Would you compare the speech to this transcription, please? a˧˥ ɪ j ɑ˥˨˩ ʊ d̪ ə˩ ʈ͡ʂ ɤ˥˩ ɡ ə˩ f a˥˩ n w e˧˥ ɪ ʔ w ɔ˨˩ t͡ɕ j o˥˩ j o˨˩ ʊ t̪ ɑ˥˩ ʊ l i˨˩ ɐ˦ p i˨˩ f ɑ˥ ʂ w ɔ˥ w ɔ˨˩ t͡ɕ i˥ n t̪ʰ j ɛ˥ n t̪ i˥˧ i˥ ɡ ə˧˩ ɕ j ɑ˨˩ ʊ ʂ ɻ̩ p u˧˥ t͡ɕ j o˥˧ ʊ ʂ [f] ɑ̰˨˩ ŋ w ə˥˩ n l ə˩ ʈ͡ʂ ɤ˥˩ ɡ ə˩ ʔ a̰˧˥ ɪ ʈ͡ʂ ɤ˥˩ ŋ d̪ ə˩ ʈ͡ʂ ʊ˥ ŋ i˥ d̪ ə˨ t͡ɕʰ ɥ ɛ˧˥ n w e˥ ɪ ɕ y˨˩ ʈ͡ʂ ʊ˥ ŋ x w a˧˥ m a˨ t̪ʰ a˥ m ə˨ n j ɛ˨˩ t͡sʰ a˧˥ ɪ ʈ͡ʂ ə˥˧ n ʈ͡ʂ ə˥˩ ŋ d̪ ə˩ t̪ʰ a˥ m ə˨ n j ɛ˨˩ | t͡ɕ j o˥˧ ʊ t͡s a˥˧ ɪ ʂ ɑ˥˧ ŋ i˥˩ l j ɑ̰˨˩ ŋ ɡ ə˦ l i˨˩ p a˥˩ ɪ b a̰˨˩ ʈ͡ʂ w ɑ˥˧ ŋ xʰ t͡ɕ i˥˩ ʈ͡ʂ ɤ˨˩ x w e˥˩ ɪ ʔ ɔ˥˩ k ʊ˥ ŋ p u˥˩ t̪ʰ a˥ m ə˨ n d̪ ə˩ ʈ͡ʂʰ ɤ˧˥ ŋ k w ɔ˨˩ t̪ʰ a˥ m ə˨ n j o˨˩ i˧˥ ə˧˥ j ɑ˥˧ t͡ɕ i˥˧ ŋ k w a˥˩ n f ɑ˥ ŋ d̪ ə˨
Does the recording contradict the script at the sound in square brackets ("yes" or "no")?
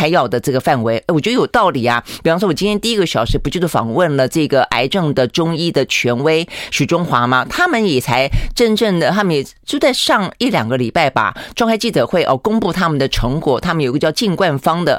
no